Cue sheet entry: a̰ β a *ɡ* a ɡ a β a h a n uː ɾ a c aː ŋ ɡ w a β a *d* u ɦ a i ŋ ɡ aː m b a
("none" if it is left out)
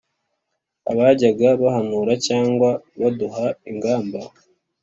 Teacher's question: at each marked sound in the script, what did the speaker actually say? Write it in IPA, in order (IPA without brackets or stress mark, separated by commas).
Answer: ɟ, d